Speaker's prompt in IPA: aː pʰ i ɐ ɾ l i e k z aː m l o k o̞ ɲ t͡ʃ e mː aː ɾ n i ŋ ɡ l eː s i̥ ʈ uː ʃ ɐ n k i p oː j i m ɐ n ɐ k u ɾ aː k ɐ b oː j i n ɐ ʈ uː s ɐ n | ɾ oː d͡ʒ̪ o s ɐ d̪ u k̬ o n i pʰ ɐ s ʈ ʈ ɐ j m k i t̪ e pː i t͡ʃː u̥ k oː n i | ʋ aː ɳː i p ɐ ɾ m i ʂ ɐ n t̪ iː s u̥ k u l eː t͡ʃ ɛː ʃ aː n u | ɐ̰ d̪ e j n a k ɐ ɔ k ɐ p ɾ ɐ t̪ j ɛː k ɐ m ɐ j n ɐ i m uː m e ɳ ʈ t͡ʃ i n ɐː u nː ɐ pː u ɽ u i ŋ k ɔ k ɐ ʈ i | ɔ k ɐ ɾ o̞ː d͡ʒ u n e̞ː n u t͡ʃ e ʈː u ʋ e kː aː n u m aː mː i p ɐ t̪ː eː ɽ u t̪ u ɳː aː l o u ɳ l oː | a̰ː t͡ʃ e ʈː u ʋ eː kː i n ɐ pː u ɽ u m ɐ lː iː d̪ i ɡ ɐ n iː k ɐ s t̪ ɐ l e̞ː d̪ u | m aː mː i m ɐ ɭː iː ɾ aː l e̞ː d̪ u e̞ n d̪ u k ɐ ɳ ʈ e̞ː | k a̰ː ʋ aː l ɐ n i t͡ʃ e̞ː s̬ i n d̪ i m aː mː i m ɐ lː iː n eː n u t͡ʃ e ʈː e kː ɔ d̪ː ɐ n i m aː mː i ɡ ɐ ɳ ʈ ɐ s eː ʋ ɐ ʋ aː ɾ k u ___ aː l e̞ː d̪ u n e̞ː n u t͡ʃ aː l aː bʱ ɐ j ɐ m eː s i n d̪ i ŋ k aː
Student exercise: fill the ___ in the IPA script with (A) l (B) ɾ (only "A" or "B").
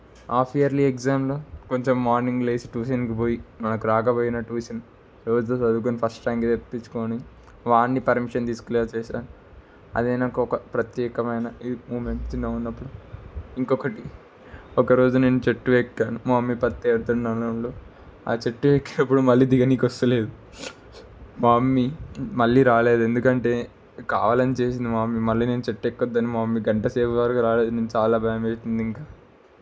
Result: B